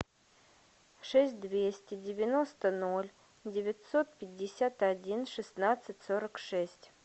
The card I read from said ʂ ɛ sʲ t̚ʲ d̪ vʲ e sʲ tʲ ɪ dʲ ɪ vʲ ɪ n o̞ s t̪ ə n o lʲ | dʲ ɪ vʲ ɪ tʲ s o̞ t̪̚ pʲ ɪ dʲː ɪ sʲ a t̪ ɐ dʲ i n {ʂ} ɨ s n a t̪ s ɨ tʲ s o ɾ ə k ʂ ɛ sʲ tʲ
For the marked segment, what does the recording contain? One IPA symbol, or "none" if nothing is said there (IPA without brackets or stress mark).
ʂ